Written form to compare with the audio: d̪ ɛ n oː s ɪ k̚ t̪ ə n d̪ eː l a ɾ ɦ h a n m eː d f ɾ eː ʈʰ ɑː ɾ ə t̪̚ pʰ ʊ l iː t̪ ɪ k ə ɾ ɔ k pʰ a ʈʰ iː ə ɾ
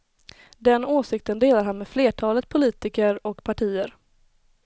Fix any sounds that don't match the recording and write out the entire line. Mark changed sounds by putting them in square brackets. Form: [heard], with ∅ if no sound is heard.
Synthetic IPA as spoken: d̪ ɛ n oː s ɪ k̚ t̪ ə n d̪ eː l a ɾ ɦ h a n m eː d f [l] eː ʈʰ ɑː [l] ə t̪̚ pʰ ʊ l iː t̪ ɪ k ə ɾ ɔ k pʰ a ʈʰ iː ə ɾ